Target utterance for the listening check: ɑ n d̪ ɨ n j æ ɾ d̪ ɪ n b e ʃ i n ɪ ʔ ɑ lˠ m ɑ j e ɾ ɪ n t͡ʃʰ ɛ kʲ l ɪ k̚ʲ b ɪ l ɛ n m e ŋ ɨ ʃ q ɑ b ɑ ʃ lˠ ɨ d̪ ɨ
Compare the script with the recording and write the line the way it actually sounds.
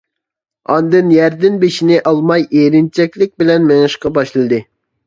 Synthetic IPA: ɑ n d̪ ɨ n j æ ɾ d̪ ɪ n b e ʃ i n ɪ ʔ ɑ lˠ m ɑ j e ɾ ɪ n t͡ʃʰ ɛ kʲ l ɪ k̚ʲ b ɪ l ɛ n m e ŋ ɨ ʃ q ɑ b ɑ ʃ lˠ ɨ d̪ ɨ